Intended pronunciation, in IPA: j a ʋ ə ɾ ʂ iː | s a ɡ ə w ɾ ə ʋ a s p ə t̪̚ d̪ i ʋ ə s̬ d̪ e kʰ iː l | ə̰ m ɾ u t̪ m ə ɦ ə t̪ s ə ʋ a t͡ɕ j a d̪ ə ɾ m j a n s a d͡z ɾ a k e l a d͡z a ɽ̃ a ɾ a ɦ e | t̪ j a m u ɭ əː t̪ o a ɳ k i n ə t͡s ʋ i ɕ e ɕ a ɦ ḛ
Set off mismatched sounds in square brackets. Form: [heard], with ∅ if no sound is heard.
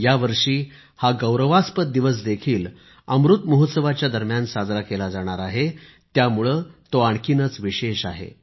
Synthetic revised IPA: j a ʋ ə ɾ ʂ iː | [h] a ɡ ə w ɾ ə ʋ a s p ə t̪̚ d̪ i ʋ ə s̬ d̪ e kʰ iː l | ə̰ m ɾ u t̪ m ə ɦ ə t̪ s ə ʋ a t͡ɕ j a d̪ ə ɾ m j a n s a d͡z ɾ a k e l a d͡z a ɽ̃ a ɾ a ɦ e | t̪ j a m u ɭ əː t̪ o a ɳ k i n ə t͡s ʋ i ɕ e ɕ a ɦ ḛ